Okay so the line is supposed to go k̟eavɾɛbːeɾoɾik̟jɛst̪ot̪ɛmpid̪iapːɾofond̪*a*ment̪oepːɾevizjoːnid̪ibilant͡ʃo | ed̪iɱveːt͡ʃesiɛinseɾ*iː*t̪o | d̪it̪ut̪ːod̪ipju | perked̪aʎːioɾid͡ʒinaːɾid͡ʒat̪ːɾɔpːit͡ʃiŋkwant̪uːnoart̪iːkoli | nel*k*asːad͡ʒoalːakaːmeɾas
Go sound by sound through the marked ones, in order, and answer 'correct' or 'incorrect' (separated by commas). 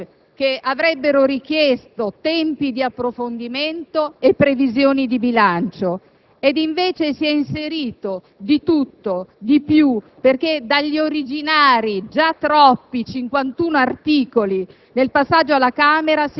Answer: incorrect, correct, incorrect